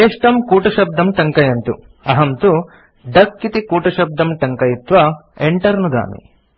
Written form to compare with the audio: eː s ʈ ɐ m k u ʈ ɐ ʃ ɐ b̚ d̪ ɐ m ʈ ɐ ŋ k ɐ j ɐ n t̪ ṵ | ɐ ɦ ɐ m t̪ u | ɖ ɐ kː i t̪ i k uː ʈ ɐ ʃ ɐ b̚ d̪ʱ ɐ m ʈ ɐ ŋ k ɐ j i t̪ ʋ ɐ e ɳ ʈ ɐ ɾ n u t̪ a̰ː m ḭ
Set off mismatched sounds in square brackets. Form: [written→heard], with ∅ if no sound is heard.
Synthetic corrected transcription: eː [s→ʂ] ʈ ɐ m k [u→uː] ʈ ɐ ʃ ɐ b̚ d̪ ɐ m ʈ ɐ ŋ k ɐ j ɐ n t̪ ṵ | ɐ ɦ ɐ m t̪ u | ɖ ɐ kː i t̪ i k uː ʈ ɐ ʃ ɐ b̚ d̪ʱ ɐ m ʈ ɐ ŋ k ɐ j i t̪ ʋ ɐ e ɳ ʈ ɐ ɾ n u [t̪→d̪] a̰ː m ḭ